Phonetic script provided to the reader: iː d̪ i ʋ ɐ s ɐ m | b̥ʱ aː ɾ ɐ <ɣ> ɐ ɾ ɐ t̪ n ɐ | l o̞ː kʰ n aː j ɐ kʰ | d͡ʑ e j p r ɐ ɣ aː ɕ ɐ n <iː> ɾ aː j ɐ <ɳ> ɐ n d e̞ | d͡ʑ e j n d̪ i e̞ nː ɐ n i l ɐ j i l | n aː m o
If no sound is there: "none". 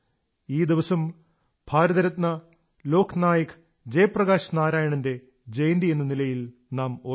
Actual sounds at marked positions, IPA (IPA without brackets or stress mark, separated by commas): ð, aː, ɳ